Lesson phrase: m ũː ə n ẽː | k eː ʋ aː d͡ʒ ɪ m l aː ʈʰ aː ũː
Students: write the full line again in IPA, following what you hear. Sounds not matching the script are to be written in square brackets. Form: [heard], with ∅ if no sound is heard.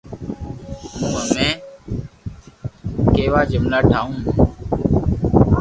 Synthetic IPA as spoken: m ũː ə [m] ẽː | k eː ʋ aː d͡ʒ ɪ m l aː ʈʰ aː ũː